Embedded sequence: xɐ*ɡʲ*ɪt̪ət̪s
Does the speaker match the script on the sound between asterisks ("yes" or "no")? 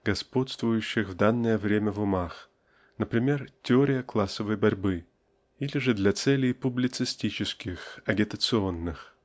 yes